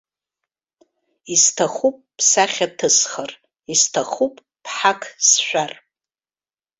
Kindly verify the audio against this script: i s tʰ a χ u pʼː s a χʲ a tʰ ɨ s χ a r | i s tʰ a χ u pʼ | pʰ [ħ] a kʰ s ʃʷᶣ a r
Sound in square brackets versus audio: correct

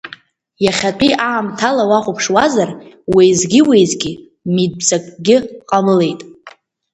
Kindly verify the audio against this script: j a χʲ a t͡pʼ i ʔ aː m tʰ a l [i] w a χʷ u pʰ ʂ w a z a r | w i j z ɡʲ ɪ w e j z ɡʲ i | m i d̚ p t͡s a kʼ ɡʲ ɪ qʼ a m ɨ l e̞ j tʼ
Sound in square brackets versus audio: incorrect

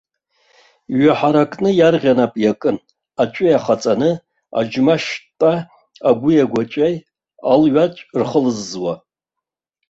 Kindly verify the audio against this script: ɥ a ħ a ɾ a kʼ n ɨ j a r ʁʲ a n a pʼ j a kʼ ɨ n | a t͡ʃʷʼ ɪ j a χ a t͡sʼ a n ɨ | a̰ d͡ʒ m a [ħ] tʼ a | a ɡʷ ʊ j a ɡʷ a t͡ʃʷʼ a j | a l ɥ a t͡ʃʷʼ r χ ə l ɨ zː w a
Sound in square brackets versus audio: incorrect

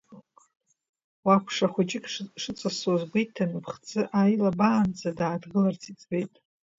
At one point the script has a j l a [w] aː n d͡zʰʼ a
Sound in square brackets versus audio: incorrect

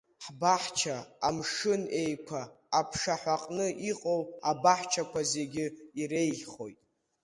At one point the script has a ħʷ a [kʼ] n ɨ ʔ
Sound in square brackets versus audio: incorrect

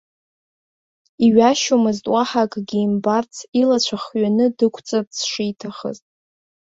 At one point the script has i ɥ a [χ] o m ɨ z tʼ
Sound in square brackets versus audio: incorrect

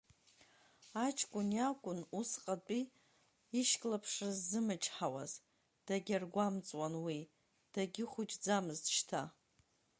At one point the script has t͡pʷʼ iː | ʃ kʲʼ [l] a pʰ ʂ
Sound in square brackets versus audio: correct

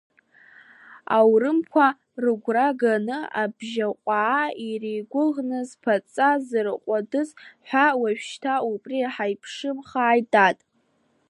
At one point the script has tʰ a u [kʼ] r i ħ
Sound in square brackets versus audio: incorrect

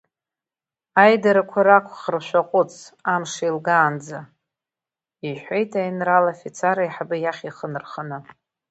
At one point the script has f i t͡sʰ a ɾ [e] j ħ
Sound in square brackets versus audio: incorrect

